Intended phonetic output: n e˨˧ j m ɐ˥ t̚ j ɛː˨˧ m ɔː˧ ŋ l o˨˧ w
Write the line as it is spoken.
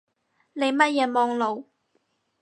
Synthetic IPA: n e˨˧ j m ɐ˥ t̚ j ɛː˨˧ m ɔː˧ ŋ l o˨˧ w